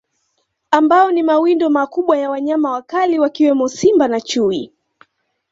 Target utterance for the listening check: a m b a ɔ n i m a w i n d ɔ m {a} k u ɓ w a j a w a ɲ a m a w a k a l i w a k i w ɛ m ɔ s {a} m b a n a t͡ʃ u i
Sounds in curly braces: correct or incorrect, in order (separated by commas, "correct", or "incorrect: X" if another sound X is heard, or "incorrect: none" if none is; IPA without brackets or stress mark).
correct, incorrect: i